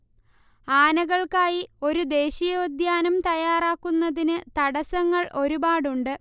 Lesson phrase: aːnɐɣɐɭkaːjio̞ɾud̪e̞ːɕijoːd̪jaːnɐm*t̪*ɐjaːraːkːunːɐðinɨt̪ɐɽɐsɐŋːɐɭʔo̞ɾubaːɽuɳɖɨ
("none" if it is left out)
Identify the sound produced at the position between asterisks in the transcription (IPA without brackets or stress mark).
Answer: t̪